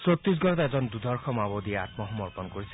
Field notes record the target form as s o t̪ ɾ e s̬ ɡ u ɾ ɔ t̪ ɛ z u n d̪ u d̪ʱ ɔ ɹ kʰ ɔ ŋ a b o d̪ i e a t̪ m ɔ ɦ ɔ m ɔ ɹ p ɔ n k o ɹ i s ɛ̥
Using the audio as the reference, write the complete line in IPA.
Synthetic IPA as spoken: s o t̪ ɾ i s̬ ɡ ɔ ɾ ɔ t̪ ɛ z ɔ n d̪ u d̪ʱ ɔ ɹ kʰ ɔ m a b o d̪ i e a t̪ m ɔ ɦ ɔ m ɔ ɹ p ɔ n k o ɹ i s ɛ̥

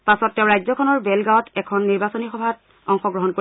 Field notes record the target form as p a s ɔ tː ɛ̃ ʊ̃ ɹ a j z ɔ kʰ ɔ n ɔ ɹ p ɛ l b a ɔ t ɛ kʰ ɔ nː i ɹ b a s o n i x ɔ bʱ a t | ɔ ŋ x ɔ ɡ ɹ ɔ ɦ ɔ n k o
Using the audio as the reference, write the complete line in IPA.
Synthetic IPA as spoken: p a s ɔ tː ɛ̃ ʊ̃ ɹ a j z ɔ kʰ ɔ n ɔ ɹ b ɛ l ɡ a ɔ t ɛ kʰ ɔ nː i ɹ b a s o n i x ɔ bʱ a t | ɔ ŋ x ɔ ɡ ɹ ɔ ɦ ɔ n k o

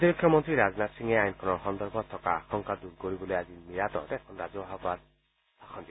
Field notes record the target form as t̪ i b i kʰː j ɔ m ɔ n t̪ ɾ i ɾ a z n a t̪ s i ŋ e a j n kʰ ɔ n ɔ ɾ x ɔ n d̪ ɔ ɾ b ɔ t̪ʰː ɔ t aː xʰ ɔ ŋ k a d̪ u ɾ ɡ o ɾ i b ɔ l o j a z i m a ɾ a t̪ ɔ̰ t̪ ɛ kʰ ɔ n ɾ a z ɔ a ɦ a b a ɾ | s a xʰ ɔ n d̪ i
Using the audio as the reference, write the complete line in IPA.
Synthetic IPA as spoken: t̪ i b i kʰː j ɔ m ɔ n t̪ ɾ i ɾ a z n a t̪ s i ŋ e a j n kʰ ɔ n ɔ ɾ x ɔ n d̪ ɔ ɾ b ɔ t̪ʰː ɔ k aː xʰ ɔ ŋ k a d̪ u ɾ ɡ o ɾ i b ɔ l o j a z i m i ɾ a t̪ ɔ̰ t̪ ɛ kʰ ɔ n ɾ a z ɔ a ɦ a b a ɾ | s a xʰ ɔ n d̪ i

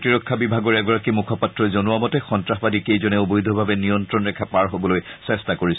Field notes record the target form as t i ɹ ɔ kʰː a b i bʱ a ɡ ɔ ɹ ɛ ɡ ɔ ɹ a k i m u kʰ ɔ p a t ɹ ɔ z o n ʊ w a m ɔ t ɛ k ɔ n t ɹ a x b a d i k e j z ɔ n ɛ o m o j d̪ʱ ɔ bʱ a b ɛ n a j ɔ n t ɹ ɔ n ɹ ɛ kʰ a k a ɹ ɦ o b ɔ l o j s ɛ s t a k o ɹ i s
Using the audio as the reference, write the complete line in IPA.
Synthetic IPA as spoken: t i ɹ ɔ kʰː a b i bʱ a ɡ ɔ ɹ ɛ ɡ ɔ ɹ a k i m u kʰ ɔ p a t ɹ ɔ z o n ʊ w a m ɔ t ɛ x ɔ n t ɹ a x b a d i k e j z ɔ n ɛ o b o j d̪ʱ ɔ bʱ a b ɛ n i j ɔ n t ɹ ɔ n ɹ ɛ kʰ a p a ɹ ɦ o b ɔ l o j s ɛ s t a k o ɹ i s

